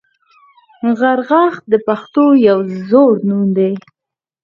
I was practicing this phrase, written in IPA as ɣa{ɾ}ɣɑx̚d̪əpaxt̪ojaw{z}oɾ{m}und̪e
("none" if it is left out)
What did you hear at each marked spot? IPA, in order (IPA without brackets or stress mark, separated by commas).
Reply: ɾ, z, n